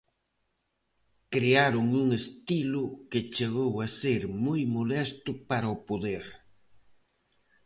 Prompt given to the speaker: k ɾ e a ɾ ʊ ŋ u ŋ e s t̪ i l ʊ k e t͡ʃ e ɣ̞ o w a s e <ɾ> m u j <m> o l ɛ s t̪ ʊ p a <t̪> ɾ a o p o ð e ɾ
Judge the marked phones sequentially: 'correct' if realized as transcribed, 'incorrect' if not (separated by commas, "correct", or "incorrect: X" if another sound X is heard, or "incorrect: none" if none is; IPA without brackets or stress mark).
correct, correct, incorrect: none